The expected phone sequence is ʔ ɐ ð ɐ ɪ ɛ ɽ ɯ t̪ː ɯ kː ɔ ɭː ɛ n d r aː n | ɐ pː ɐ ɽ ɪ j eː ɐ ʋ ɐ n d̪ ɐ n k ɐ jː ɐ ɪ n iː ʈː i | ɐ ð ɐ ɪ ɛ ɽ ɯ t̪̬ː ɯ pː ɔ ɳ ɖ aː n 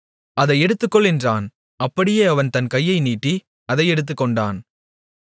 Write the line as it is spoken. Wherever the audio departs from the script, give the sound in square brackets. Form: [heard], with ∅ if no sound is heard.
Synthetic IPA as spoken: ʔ ɐ ð ɐ ɪ ɛ ɽ ɯ t̪ː ɯ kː ɔ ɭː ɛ n d r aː n | ɐ pː ɐ ɽ ɪ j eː ɐ ʋ ɐ n [t̪] ɐ n k ɐ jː ɐ ɪ n iː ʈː i | ɐ ð ɐ ɪ ɛ ɽ ɯ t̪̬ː ɯ [kː] ɔ ɳ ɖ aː n

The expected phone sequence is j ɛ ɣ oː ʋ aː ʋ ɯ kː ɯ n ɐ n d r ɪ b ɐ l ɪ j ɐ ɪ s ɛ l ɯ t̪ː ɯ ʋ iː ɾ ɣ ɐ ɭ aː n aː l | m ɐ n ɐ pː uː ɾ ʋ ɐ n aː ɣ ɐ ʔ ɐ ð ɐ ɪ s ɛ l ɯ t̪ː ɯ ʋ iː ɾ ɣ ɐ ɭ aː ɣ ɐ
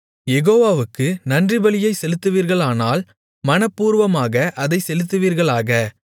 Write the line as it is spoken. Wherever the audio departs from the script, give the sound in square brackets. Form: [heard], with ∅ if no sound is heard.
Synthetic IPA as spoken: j ɛ ɣ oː ʋ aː ʋ ɯ kː ɯ n ɐ n d r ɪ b ɐ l ɪ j ɐ ɪ s ɛ l ɯ t̪ː ɯ ʋ iː ɾ ɣ ɐ ɭ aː n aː l | m ɐ n ɐ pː uː ɾ ʋ ɐ [m] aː ɣ ɐ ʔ ɐ ð ɐ ɪ s ɛ l ɯ t̪ː ɯ ʋ iː ɾ ɣ ɐ ɭ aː ɣ ɐ

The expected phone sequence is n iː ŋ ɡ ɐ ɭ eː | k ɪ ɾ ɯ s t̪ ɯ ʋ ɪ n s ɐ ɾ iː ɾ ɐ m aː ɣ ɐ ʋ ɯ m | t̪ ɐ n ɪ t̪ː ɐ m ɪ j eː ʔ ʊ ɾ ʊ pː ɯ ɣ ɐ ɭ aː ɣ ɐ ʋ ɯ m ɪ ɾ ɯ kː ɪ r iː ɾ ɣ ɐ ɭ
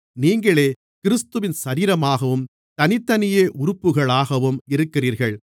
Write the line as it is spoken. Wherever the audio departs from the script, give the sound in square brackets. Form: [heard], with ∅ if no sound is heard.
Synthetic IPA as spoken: n iː ŋ ɡ ɐ ɭ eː | k ɪ ɾ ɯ s t̪ ɯ ʋ ɪ n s ɐ ɾ iː ɾ ɐ m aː ɣ ɐ ʋ ɯ m | t̪ ɐ n ɪ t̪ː ɐ [n] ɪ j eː ʔ ʊ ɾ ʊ pː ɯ ɣ ɐ ɭ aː ɣ ɐ ʋ ɯ m ɪ ɾ ɯ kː ɪ r iː ɾ ɣ ɐ ɭ

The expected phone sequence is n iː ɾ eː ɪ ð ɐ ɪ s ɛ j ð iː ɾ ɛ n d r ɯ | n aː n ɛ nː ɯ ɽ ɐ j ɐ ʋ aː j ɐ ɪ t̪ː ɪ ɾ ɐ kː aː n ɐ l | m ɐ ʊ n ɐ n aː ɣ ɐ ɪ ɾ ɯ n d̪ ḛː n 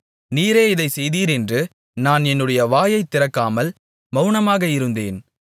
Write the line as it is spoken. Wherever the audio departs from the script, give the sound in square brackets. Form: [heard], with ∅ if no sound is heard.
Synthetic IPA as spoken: n iː ɾ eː ɪ ð ɐ ɪ s ɛ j ð iː ɾ ɛ n d r ɯ | n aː n ɛ nː ɯ ɽ ɐ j ɐ ʋ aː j ɐ ɪ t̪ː ɪ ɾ ɐ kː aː [m] ɐ l | m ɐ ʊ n ɐ [m] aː ɣ ɐ ɪ ɾ ɯ n d̪ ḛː n

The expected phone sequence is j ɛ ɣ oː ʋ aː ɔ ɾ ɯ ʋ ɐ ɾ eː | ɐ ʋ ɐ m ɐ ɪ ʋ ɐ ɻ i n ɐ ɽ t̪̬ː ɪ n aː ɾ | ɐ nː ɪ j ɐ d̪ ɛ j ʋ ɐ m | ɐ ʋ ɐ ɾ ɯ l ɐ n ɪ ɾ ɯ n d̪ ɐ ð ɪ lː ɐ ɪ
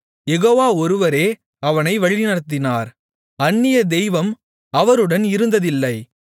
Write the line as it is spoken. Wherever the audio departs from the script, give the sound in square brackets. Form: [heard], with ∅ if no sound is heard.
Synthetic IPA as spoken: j ɛ ɣ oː ʋ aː ɔ ɾ ɯ ʋ ɐ ɾ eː | ɐ ʋ ɐ [n] ɐ ɪ ʋ ɐ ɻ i n ɐ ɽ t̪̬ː ɪ n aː ɾ | ɐ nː ɪ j ɐ d̪ ɛ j ʋ ɐ m | ɐ ʋ ɐ ɾ ɯ [ɽ] ɐ n ɪ ɾ ɯ n d̪ ɐ ð ɪ lː ɐ ɪ

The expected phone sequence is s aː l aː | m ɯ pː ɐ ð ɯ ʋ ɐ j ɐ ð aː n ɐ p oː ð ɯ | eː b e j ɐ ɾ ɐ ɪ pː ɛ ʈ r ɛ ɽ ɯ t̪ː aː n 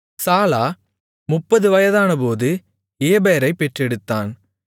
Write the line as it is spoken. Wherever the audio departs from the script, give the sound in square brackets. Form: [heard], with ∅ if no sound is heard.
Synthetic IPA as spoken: s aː l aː | m [ʊ] pː ɐ ð ɯ ʋ ɐ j ɐ ð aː n ɐ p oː ð ɯ | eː b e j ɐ ɾ ɐ ɪ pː ɛ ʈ r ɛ ɽ ɯ t̪ː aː n

